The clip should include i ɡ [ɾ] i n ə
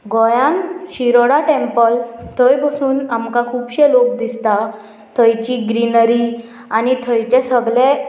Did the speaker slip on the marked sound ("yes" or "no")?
no